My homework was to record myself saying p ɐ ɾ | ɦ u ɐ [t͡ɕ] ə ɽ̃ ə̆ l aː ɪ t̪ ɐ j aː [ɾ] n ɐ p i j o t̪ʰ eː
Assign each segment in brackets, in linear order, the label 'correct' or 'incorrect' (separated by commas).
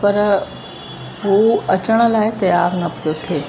correct, correct